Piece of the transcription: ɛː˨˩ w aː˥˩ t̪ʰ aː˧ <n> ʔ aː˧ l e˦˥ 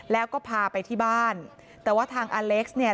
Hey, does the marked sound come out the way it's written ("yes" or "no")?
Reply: no